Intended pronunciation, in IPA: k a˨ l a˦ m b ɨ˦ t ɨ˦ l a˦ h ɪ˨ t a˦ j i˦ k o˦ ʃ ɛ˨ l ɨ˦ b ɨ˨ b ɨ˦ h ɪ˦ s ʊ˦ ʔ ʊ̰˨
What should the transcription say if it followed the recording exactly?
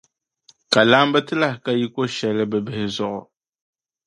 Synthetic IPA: k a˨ l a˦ m b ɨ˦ t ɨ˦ l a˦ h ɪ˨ k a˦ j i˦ k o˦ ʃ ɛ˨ l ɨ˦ b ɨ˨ b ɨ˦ h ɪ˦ z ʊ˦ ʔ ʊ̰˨